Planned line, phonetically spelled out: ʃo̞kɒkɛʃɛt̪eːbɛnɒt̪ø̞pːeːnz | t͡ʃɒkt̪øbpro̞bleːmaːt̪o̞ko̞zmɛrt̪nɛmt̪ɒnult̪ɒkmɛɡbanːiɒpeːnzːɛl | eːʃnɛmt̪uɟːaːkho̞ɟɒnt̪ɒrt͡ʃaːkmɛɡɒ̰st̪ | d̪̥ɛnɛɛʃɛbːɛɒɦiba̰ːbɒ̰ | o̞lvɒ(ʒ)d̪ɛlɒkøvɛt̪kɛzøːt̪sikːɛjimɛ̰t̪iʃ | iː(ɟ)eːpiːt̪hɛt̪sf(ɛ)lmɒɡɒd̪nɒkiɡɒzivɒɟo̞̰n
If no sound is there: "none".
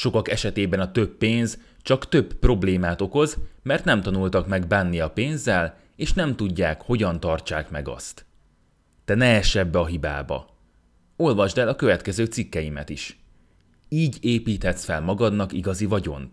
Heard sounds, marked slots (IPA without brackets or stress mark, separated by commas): ʒ, ɟ, ɛ